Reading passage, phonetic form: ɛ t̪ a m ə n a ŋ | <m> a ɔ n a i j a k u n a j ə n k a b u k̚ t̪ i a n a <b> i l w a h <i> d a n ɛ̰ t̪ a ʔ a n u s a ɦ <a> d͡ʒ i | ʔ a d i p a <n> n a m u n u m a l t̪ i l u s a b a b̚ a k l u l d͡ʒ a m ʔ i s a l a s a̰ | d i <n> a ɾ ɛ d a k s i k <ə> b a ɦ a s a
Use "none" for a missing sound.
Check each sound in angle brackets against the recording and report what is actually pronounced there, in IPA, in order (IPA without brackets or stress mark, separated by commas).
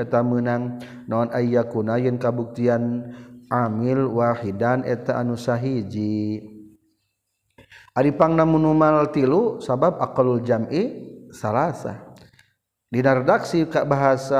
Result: n, m, i, i, ŋ, n, a